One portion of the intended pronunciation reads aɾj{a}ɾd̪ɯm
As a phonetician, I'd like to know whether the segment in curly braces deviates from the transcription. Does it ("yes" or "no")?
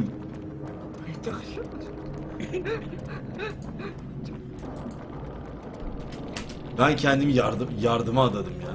no